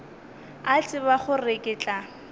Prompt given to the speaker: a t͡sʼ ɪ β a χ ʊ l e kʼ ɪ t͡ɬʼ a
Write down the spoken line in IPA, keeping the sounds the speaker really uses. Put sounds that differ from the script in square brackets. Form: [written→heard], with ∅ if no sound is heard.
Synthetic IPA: a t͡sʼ ɪ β a χ ʊ [l→r] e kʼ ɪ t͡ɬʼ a